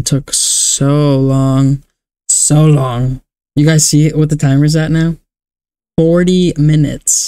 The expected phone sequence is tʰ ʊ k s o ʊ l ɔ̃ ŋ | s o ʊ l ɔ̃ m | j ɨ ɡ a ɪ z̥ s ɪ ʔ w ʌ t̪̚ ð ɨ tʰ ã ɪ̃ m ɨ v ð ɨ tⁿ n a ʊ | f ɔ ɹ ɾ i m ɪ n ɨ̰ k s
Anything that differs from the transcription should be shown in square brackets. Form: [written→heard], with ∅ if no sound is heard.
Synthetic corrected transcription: tʰ ʊ k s o ʊ l ɔ̃ ŋ | s o ʊ l ɔ̃ [m→ŋ] | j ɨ ɡ a ɪ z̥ s [ɪ→i] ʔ w ʌ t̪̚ ð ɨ tʰ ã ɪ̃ m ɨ [v→z] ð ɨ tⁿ n a ʊ | f ɔ ɹ ɾ i m ɪ n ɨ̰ [k→t] s